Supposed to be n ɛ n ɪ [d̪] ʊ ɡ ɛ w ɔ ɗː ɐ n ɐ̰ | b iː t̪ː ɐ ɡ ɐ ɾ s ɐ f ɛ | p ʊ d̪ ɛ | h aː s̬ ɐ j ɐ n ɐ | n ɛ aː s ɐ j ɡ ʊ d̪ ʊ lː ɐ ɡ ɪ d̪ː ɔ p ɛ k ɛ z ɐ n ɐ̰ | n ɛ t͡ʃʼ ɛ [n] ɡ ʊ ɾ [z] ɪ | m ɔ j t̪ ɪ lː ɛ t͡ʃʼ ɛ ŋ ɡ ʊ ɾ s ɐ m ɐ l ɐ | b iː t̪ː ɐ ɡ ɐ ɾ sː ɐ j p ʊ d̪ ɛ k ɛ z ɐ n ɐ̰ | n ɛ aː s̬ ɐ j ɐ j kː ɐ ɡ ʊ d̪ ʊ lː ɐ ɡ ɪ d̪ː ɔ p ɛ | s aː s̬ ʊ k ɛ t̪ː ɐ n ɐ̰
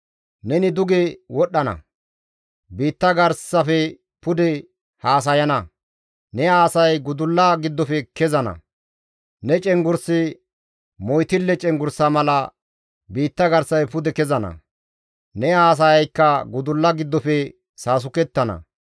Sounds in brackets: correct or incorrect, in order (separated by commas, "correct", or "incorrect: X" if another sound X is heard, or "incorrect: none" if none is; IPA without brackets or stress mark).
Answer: correct, incorrect: ŋ, incorrect: s